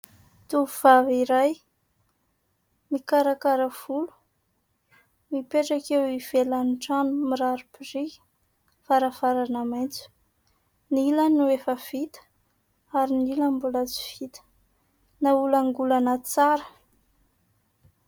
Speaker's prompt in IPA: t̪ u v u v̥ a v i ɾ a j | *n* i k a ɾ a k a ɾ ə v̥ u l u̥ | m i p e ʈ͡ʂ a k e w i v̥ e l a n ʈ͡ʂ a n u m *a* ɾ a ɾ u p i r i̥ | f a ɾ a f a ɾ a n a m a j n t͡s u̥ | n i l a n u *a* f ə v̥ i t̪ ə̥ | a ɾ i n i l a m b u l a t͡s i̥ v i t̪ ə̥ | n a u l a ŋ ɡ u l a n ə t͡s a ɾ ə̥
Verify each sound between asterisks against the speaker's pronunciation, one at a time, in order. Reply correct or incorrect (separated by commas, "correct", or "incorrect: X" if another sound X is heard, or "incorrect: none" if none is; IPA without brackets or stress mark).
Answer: incorrect: m, incorrect: i, incorrect: e